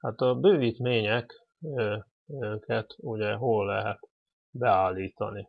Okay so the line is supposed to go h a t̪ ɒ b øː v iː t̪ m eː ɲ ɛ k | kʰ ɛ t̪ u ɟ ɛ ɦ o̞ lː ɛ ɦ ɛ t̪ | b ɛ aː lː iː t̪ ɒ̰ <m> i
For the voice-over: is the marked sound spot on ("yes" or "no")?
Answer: no